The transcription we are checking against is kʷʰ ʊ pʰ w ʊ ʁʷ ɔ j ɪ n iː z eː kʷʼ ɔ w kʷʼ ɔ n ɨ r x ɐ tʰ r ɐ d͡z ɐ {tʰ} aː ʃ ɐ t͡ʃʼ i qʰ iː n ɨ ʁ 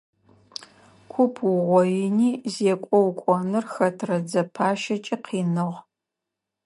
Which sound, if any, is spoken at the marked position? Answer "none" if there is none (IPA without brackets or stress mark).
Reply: pʰ